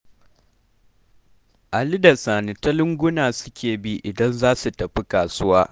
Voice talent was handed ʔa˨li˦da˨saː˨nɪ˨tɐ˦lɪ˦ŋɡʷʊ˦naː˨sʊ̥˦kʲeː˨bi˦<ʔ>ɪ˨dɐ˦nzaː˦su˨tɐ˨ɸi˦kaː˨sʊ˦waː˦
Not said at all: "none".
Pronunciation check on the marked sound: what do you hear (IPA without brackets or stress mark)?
ʔ